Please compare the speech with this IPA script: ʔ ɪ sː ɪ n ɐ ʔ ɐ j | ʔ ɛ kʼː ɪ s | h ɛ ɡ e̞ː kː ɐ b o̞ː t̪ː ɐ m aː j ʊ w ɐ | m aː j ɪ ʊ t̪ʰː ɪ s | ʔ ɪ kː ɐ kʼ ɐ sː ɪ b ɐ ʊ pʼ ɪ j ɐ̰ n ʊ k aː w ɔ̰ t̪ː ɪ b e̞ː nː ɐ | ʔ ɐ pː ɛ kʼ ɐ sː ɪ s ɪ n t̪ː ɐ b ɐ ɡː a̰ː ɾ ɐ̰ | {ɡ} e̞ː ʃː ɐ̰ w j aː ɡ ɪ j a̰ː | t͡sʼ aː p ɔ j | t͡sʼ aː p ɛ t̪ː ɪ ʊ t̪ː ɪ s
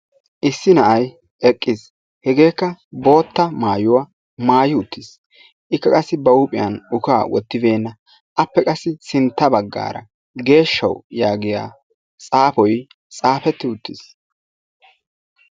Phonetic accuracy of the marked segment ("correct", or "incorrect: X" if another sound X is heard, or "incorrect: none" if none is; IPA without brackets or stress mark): correct